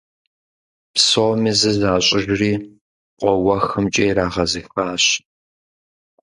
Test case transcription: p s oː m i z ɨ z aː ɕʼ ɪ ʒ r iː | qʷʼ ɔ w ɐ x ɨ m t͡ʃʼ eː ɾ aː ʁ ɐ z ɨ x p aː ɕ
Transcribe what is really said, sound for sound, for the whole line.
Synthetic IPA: p s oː m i z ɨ z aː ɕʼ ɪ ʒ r iː | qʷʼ ɔ w ɐ x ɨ m t͡ʃʼ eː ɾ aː ʁ ɐ z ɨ x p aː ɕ